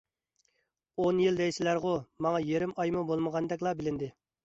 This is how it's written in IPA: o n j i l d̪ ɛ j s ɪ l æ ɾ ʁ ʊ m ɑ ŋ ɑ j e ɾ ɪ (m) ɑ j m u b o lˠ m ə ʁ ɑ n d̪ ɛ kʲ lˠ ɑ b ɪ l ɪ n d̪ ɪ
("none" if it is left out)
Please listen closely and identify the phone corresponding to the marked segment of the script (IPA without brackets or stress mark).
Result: m